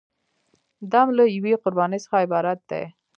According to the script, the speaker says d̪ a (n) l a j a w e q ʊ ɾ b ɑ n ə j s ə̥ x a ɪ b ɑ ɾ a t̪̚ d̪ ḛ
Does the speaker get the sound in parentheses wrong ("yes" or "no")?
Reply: yes